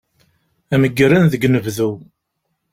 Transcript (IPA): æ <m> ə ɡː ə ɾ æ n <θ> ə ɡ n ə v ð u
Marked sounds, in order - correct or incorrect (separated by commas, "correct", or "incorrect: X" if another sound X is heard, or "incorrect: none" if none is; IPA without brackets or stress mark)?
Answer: correct, incorrect: ð